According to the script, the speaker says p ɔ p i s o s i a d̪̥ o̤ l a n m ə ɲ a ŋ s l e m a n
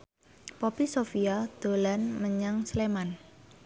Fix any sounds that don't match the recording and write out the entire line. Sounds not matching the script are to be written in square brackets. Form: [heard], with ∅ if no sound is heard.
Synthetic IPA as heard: p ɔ p i s o [f] i a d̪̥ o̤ l a n m ə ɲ a ŋ s l e m a n